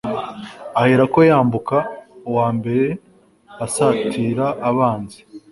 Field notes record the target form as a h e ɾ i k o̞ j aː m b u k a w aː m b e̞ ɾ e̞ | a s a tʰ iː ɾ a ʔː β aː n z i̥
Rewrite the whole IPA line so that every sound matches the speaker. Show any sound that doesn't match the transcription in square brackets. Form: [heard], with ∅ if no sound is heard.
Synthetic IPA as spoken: a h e ɾ [a] k o̞ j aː m b u k a w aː m b e̞ ɾ e̞ | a s a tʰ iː ɾ a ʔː β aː n z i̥